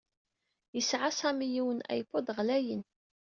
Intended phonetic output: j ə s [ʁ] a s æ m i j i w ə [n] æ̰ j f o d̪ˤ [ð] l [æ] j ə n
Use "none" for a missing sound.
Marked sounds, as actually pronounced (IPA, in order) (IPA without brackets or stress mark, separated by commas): ʕ, n, ʁ, æ